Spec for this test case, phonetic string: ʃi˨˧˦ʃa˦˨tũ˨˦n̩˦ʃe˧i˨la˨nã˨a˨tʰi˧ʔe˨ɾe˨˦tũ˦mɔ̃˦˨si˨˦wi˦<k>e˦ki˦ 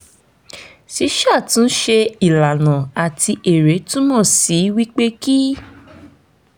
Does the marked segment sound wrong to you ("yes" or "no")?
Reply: yes